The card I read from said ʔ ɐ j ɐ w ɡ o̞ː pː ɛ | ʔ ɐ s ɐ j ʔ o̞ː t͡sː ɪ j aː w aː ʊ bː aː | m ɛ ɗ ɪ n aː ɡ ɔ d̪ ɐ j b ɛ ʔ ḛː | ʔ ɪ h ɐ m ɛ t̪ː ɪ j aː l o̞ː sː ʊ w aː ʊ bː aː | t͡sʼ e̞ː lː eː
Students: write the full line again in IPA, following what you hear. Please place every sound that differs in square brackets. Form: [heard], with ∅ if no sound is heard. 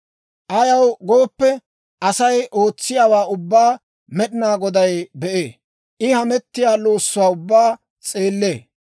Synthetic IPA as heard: ʔ ɐ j ɐ w ɡ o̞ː pː ɛ | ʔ ɐ s ɐ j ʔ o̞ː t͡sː ɪ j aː w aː ʊ bː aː | m ɛ ɗ ɪ n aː ɡ ɔ d̪ ɐ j b ɛ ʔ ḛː | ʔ ɪ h ɐ m ɛ t̪ː ɪ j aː l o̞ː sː ʊ w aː ʊ bː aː | t͡sʼ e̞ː lː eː

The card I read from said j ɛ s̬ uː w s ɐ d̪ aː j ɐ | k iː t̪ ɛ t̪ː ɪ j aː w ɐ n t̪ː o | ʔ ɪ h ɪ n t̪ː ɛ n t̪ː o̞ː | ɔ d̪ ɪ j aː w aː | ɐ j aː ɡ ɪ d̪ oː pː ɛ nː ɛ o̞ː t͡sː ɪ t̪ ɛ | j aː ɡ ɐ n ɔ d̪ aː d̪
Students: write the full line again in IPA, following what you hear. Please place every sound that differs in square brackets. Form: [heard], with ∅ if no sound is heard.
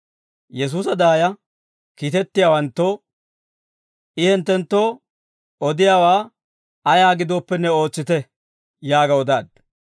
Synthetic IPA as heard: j ɛ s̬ uː [∅] s ɐ d̪ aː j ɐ | k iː t̪ ɛ t̪ː ɪ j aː w ɐ n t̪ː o | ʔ ɪ h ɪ n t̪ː ɛ n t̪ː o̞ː | ɔ d̪ ɪ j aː w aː | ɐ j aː ɡ ɪ d̪ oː pː ɛ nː ɛ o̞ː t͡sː ɪ t̪ ɛ | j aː ɡ ɐ [∅] ɔ d̪ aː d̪

